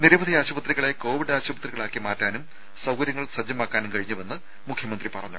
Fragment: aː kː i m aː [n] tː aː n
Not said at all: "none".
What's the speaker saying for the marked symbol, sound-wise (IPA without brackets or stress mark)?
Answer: none